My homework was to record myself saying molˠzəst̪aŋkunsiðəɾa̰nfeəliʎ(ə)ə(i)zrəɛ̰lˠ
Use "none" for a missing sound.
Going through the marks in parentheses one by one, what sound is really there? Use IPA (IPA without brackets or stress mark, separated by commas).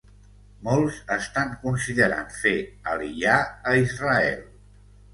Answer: a, i